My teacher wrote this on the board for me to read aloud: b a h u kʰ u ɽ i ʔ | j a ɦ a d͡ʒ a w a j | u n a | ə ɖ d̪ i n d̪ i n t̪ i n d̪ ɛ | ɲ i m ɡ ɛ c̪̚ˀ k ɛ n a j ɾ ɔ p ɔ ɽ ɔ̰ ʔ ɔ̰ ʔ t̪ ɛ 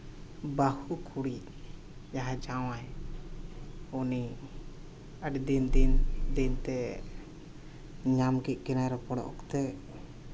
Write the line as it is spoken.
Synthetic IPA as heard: b a h u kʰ u ɽ i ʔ | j a ɦ a d͡ʒ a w a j | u n i | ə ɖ d̪ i n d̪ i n d̪ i n t̪ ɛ | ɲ a m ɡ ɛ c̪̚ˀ k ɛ n a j ɾ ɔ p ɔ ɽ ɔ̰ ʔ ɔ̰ k t̪ ɛ